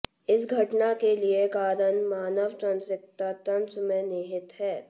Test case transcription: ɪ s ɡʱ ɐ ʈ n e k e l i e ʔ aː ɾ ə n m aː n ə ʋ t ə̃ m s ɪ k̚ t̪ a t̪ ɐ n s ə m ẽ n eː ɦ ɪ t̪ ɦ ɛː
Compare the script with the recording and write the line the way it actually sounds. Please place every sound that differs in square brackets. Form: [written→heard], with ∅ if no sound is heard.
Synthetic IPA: ɪ s ɡʱ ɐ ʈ n [e→a] k e l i e [ʔ→k] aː ɾ ə n m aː n ə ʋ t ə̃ [m→n] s ɪ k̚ t̪ a t̪ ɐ n s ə m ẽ n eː ɦ ɪ t̪ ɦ ɛː